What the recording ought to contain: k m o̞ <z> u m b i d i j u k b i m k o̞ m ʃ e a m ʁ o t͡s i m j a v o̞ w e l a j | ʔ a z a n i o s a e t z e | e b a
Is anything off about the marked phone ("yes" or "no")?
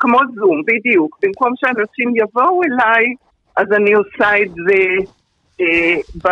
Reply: no